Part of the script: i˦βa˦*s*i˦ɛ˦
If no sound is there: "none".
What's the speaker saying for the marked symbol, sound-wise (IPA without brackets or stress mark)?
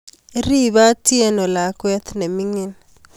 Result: t